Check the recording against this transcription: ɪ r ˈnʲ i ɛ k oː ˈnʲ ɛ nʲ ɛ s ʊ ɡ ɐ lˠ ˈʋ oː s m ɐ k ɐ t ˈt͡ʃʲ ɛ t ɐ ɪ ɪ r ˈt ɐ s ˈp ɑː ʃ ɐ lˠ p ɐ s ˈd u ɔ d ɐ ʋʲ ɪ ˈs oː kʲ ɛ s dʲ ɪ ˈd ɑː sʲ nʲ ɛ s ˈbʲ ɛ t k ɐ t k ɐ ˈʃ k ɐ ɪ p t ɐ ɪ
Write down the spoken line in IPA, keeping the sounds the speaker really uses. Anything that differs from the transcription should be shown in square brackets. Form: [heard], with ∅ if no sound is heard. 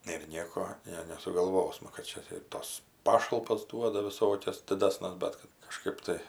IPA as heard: ɪ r ˈnʲ i ɛ k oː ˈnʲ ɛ nʲ ɛ s ʊ ɡ ɐ lˠ ˈʋ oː s m ɐ k ɐ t ˈt͡ʃʲ ɛ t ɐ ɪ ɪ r ˈt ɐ s ˈp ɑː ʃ ɐ lˠ p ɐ s ˈd u ɔ d ɐ ʋʲ ɪ ˈs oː kʲ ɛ s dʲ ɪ ˈd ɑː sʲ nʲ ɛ s ˈbʲ ɛ t k ɐ t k ɐ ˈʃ k ɐ ɪ p t ɐ ɪ